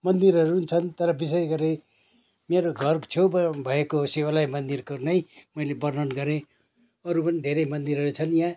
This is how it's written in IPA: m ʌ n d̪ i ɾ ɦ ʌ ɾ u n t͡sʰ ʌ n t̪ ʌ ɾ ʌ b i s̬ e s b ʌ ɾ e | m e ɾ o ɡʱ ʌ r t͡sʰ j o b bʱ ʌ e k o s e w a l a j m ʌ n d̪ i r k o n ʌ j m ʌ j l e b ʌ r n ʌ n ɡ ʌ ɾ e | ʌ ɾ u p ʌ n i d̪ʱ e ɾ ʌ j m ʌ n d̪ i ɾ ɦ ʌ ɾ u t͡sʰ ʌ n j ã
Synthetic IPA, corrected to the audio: m ʌ n d̪ i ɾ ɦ ʌ ɾ u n t͡sʰ ʌ n t̪ ʌ ɾ ʌ b i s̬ e s ɡ ʌ ɾ e | m e ɾ o ɡʱ ʌ r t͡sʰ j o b bʱ ʌ e k o s e w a l a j m ʌ n d̪ i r k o n ʌ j m ʌ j l e b ʌ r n ʌ n ɡ ʌ ɾ e | ʌ ɾ u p ʌ n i d̪ʱ e ɾ ʌ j m ʌ n d̪ i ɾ ɦ ʌ ɾ u t͡sʰ ʌ n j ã